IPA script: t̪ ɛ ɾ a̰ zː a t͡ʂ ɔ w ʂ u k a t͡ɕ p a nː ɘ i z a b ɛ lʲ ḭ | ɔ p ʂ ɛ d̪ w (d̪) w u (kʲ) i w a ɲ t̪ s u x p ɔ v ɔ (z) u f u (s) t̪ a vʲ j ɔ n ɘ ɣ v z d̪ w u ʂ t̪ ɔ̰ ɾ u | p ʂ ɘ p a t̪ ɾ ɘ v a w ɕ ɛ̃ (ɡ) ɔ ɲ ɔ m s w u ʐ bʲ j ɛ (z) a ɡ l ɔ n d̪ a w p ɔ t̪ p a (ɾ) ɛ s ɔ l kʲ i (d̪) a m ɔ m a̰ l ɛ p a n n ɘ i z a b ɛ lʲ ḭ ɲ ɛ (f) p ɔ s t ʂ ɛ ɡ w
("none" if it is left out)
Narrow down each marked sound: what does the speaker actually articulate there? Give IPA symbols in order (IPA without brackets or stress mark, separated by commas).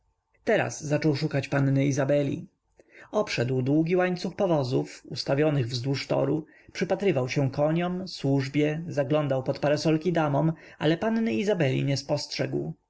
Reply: d̪, ɡʲ, z, s, k, z, ɾ, d̪, s